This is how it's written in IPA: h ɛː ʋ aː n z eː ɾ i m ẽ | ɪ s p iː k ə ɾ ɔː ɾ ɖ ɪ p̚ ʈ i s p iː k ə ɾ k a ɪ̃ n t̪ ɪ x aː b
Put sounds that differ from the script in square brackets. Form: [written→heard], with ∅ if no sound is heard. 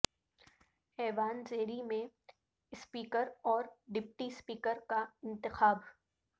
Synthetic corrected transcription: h ɛː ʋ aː n z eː ɾ i m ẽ | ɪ s p iː k ə ɾ ɔː ɾ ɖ ɪ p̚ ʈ i s p iː k ə ɾ k a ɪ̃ n t̪ ɪ x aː b